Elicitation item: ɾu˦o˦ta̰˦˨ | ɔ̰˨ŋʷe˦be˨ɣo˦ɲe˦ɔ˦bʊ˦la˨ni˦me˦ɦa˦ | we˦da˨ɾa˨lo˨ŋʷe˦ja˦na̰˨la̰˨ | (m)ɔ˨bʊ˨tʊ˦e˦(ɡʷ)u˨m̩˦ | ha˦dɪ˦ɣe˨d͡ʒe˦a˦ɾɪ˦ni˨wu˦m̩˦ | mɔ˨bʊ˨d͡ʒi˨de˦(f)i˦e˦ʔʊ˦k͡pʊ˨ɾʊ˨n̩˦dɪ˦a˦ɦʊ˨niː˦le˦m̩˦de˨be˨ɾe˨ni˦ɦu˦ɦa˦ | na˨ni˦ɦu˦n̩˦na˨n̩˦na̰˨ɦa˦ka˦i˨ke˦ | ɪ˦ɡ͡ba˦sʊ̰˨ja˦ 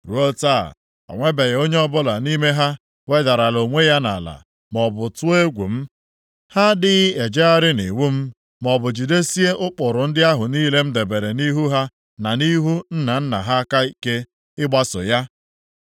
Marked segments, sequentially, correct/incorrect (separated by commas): correct, correct, incorrect